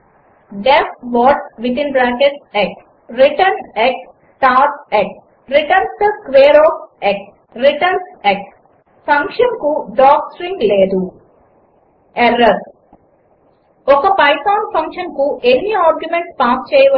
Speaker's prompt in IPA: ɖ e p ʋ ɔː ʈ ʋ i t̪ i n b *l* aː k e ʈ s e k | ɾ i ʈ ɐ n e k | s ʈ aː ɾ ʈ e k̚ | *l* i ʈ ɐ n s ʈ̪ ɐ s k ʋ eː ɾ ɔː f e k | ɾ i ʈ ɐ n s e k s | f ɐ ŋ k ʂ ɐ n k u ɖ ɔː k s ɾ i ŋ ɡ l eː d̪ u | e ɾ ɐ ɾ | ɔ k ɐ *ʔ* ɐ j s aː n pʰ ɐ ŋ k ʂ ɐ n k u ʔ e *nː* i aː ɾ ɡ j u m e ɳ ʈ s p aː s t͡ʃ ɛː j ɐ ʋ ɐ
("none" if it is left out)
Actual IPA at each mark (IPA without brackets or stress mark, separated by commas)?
ɾ, ɾ, p, nː